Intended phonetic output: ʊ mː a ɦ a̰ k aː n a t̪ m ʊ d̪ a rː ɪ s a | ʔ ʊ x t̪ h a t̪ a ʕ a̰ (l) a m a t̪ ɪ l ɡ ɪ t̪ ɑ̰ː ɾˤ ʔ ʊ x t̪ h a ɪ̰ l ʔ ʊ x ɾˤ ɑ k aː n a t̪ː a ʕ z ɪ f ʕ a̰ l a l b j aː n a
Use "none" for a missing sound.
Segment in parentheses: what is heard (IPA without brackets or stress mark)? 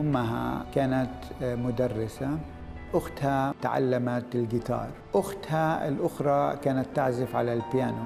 lː